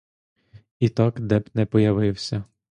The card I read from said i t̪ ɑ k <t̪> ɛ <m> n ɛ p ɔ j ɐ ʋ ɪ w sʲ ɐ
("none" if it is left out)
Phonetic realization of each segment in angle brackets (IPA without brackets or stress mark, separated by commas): d̪, b